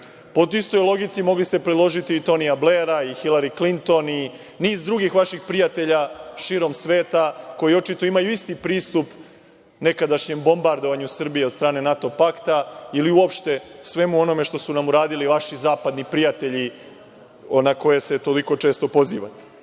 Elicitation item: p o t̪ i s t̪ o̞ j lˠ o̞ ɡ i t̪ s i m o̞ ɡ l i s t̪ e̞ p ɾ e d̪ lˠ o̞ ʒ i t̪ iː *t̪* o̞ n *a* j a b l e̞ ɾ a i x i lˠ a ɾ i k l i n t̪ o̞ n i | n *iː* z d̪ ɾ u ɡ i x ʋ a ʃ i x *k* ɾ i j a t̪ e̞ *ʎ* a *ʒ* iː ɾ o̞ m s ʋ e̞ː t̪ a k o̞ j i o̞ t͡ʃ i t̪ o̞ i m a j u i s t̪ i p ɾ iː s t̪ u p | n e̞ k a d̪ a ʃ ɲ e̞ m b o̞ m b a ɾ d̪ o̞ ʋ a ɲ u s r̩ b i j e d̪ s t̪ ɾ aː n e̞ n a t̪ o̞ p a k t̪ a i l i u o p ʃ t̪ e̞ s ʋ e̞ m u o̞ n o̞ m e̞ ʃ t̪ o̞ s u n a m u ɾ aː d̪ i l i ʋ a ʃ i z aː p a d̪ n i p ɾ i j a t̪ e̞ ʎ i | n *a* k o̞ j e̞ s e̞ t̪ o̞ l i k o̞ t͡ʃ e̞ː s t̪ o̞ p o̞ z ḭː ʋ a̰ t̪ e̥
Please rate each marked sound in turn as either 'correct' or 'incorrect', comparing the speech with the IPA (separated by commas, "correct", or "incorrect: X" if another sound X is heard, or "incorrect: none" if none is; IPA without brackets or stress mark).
correct, incorrect: i, correct, incorrect: p, correct, incorrect: ʃ, correct